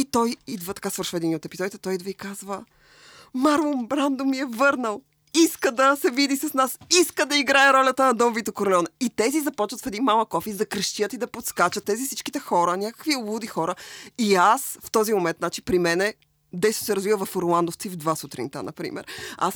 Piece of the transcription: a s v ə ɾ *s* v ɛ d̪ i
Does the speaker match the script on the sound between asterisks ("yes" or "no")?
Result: no